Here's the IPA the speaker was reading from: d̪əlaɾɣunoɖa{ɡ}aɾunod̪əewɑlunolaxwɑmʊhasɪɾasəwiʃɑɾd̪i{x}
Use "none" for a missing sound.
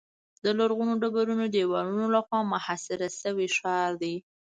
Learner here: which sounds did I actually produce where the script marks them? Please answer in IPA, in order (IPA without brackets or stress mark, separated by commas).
b, none